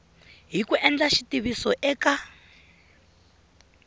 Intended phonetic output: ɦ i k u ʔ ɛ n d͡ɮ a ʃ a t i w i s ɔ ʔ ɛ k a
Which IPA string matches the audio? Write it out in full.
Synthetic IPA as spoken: ɦ i k u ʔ ɛ n d͡ɮ a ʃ i t i β i s ɔ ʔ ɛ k a

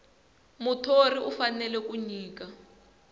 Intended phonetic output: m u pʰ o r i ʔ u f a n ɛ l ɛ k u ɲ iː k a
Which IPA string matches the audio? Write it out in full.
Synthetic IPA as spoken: m u tʰ o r i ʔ u f a n ɛ l ɛ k u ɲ iː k a

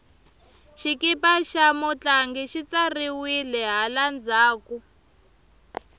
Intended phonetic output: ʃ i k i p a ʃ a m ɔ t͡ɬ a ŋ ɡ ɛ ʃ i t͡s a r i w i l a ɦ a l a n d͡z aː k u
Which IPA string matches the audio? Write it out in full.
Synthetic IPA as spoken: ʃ i k i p a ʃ a m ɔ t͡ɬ a ŋ ɡ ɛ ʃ i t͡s a r i w i l ɛ ɦ a l a n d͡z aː k u

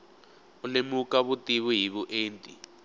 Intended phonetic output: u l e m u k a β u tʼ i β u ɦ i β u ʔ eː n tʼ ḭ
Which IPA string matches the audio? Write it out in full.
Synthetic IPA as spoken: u l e m u k a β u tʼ i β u ɦ i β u ʔ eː n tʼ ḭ

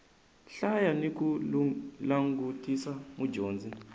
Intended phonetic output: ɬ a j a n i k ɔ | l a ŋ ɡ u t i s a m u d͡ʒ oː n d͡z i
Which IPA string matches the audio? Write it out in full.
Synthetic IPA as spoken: ɬ a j a n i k u | l a ŋ ɡ u t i s a m u d͡ʒ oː n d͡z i

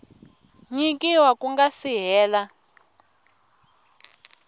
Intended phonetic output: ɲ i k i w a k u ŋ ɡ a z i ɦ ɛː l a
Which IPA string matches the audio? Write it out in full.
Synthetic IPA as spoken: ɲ i k i w a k u ŋ ɡ a s i ɦ ɛː l a

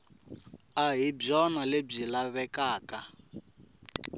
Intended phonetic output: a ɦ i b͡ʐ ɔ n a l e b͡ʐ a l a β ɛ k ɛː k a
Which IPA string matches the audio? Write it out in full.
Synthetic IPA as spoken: a ɦ i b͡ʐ ɔ n a l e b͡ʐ i l a β ɛ k aː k a

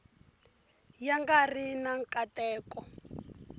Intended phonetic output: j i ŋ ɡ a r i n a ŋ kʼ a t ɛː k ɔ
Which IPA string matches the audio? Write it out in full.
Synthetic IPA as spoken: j a ŋ ɡ a r i n a ŋ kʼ a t ɛː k ɔ

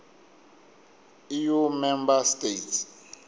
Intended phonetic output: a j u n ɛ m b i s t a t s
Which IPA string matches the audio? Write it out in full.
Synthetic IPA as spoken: i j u m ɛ m b a s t e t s

